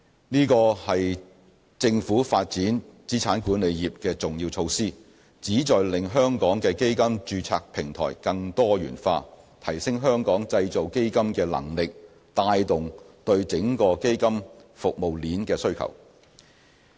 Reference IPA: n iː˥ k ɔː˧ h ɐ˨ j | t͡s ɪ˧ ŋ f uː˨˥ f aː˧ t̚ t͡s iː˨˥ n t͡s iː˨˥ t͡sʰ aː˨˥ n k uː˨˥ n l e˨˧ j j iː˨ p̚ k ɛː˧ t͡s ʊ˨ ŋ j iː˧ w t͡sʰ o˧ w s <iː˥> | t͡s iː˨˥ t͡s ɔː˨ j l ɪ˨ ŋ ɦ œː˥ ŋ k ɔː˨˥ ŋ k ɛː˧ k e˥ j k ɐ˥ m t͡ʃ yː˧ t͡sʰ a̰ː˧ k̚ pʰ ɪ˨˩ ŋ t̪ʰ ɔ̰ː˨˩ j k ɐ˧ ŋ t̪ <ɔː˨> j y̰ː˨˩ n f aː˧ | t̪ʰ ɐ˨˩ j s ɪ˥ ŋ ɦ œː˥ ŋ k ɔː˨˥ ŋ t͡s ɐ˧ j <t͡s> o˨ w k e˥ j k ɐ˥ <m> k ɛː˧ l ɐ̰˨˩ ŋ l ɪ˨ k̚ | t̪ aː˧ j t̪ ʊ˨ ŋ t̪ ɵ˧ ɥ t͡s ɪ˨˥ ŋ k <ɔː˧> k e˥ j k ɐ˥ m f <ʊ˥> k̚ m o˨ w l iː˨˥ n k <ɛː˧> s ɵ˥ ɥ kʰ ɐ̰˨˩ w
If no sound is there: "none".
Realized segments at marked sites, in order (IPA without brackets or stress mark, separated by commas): iː˥, ɔː˥, t͡s, m, ɔː˧, ʊ˨, ɛː˧